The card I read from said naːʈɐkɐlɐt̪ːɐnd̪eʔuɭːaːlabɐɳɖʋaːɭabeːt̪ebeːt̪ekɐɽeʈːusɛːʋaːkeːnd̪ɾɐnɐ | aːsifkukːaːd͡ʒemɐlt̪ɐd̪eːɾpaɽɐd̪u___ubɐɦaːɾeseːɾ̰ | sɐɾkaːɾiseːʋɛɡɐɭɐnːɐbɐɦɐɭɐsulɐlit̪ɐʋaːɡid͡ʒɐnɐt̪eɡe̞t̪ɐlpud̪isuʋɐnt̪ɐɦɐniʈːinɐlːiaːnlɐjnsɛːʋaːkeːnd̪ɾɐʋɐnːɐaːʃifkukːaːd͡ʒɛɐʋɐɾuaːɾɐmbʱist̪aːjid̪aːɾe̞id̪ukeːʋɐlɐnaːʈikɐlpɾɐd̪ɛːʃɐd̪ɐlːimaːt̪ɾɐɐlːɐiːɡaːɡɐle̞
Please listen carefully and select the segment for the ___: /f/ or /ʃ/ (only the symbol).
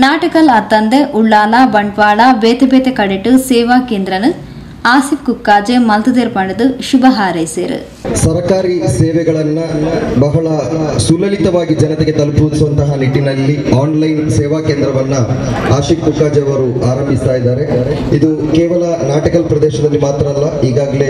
ʃ